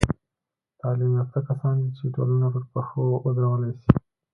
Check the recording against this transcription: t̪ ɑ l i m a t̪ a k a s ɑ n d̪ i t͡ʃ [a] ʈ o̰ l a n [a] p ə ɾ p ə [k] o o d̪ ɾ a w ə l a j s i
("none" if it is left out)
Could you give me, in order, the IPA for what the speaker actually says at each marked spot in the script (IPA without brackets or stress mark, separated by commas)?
e, a, x